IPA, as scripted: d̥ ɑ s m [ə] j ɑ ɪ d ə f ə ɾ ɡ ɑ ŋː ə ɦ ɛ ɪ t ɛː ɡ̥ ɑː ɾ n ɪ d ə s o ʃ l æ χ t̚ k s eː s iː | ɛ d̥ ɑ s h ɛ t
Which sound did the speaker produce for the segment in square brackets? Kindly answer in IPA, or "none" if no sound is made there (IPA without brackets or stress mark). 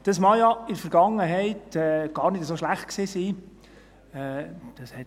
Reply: ɑ